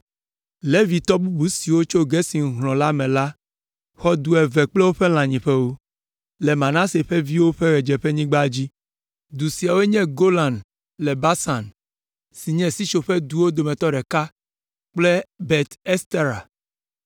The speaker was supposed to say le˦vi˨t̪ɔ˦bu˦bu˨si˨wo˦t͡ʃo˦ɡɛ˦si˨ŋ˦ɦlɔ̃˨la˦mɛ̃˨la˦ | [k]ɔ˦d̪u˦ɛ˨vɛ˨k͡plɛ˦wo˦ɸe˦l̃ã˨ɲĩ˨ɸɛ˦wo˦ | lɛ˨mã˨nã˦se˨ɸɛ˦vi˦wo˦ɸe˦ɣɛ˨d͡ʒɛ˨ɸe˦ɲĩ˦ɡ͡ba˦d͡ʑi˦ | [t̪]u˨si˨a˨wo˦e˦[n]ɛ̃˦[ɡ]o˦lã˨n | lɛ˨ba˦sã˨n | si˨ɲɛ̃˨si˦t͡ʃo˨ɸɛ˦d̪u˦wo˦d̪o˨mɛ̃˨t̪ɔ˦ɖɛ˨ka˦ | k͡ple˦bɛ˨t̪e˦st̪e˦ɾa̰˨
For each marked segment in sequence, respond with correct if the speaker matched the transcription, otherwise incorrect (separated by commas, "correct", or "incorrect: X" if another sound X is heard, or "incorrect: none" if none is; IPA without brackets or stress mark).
incorrect: x, incorrect: d̪, incorrect: ɲ, correct